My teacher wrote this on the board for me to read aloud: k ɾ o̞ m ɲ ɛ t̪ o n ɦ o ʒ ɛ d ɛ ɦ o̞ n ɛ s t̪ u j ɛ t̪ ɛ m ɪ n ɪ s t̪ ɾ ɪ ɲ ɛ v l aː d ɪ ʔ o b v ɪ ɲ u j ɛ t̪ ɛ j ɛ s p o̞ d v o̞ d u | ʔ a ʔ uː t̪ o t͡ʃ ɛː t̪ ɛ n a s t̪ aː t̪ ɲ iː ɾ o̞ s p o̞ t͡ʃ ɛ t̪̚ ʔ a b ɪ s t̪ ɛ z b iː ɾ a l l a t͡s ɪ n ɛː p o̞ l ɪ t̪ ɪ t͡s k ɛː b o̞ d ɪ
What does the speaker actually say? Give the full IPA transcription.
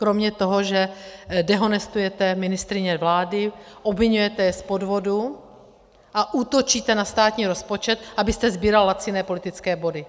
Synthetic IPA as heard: k ɾ o̞ m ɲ ɛ t̪ o ɦ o ʒ ɛ d ɛ ɦ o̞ n ɛ s t̪ u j ɛ t̪ ɛ m ɪ n ɪ s t̪ ɾ ɪ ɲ ɛ v l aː d ɪ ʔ o b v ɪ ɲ u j ɛ t̪ ɛ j ɛ s p o̞ d v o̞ d u | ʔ a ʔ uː t̪ o t͡ʃ iː t̪ ɛ n a s t̪ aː t̪ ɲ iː ɾ o̞ s p o̞ t͡ʃ ɛ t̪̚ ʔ a b ɪ s t̪ ɛ z b iː ɾ a l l a t͡s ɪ n ɛː p o̞ l ɪ t̪ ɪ t͡s k ɛː b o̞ d ɪ